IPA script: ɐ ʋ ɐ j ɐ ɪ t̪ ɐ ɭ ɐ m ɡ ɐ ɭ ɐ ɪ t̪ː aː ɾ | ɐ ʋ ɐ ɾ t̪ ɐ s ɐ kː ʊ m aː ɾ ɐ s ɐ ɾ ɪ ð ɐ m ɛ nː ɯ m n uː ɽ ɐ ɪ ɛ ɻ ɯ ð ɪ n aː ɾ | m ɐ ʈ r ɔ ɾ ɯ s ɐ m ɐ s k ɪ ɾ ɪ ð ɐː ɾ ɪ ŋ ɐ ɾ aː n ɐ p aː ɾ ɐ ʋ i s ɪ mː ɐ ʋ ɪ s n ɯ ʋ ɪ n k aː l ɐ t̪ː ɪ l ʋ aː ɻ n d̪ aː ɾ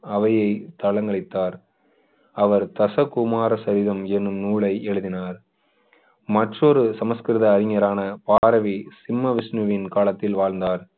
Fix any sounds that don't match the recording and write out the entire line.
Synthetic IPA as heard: ɐ ʋ ɐ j ɐ ɪ t̪ ɐ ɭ ɐ ŋ ɡ ɐ ɭ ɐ ɪ t̪ː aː ɾ | ɐ ʋ ɐ ɾ t̪ ɐ s ɐ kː ʊ m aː ɾ ɐ s ɐ ɾ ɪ ð ɐ m ɛ nː ɯ m n uː ɭ ɐ ɪ ɛ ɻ ɯ ð ɪ n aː ɾ | m ɐ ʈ r ɔ ɾ ɯ s ɐ m ɐ s k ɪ ɾ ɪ ð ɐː ɾ ɪ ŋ ɐ ɾ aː n ɐ p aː ɾ ɐ ʋ i s ɪ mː ɐ ʋ ɪ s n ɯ ʋ ɪ n k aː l ɐ t̪ː ɪ l ʋ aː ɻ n d̪ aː ɾ